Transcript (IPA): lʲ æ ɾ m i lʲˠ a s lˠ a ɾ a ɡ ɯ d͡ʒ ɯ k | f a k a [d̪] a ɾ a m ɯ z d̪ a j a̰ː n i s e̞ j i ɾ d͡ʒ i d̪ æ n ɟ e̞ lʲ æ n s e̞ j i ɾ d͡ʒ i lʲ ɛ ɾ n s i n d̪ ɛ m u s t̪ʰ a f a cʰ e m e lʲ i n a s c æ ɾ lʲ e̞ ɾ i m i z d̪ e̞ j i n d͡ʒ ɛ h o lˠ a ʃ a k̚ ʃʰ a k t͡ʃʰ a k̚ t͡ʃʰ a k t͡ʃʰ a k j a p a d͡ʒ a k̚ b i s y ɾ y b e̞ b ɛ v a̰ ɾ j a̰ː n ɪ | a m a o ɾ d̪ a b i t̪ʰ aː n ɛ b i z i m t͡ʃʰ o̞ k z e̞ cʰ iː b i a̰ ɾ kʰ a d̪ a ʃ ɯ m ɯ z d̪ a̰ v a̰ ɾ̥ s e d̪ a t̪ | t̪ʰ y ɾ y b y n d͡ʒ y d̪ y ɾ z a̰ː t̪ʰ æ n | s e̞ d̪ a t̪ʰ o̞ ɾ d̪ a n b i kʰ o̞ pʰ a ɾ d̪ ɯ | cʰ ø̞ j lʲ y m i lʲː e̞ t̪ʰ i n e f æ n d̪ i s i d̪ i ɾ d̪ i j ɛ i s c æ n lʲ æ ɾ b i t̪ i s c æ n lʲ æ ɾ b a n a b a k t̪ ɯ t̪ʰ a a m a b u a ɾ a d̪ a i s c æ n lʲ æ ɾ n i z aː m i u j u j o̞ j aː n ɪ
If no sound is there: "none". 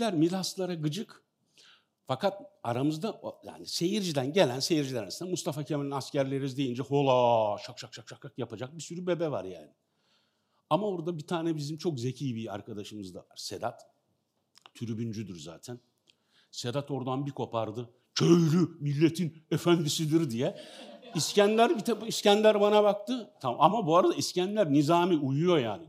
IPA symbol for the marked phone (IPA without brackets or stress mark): t̪